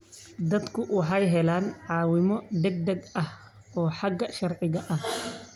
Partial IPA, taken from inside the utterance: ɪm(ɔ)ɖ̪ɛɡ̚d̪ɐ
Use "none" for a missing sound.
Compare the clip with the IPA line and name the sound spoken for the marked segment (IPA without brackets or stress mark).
ɔ